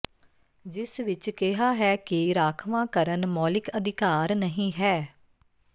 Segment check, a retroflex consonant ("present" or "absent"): absent